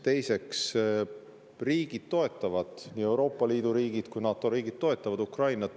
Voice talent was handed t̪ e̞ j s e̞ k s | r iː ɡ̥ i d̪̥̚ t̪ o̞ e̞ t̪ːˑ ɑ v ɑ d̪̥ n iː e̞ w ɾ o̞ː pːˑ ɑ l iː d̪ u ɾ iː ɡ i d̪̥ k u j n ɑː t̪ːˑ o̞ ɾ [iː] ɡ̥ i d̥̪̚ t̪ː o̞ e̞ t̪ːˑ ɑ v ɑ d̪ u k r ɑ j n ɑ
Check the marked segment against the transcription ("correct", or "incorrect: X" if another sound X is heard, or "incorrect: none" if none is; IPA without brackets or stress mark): correct